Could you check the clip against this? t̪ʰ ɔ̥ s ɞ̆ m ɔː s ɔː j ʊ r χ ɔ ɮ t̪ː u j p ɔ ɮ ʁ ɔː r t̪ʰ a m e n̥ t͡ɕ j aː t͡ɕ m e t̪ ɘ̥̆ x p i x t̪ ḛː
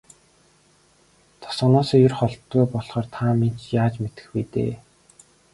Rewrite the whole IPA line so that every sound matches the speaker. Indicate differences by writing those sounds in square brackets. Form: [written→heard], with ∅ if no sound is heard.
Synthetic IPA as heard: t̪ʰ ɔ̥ s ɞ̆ [m→n] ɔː s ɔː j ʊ r χ ɔ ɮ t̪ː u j p ɔ ɮ [ʁ→χ] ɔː r t̪ʰ a m e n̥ t͡ɕ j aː t͡ɕ m e t̪ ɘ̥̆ x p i [x→∅] t̪ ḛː